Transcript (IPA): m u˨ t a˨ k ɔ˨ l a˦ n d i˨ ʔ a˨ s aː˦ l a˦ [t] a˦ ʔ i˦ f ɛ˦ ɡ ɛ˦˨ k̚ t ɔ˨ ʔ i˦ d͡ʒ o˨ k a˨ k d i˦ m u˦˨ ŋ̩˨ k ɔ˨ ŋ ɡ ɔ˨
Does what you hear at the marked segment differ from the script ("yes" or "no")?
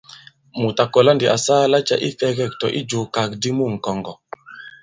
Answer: yes